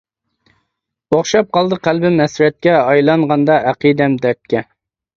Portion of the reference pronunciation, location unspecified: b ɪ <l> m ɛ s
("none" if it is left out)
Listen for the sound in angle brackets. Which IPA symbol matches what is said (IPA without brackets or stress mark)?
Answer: none